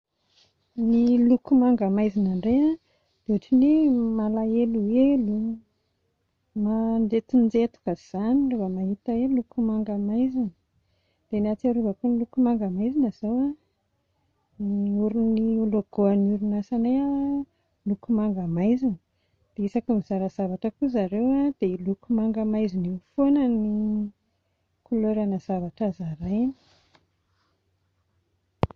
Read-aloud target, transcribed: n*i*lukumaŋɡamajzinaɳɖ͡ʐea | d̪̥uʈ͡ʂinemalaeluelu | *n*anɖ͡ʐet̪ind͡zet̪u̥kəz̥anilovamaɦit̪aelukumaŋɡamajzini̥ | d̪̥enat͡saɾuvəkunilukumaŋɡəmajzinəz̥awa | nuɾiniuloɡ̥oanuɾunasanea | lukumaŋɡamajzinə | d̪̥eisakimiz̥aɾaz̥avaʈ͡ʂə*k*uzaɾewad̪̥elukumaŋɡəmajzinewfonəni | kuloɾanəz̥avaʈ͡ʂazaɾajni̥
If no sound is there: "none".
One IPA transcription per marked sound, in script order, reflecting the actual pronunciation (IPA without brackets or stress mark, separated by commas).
i, m, k